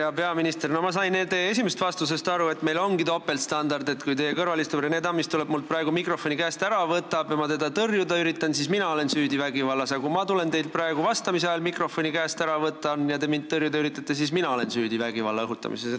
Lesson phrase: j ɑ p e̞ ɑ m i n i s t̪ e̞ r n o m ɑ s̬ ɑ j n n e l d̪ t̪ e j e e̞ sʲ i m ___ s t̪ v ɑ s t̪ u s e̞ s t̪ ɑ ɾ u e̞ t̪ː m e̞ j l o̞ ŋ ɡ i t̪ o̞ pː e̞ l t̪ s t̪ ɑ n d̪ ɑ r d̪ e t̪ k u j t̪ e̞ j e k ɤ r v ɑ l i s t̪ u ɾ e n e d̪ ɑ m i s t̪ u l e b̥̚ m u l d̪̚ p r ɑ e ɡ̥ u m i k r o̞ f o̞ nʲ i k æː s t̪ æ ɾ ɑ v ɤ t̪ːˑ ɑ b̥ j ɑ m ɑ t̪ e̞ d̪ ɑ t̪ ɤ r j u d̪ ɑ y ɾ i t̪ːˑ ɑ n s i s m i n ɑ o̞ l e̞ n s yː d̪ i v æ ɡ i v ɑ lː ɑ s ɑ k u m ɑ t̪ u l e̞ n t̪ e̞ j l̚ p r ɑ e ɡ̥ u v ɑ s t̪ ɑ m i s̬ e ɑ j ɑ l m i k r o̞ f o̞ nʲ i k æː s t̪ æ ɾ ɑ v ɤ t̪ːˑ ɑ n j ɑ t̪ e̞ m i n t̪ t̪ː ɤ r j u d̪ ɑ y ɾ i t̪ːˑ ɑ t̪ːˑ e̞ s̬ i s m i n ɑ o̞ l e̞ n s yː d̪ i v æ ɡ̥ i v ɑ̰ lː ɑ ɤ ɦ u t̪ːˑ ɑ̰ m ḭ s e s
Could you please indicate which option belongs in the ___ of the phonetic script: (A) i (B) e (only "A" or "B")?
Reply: B